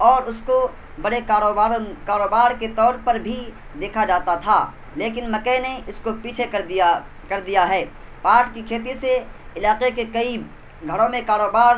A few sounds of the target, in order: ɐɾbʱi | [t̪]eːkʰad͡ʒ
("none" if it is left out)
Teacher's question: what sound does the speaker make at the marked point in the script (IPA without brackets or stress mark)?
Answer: d̪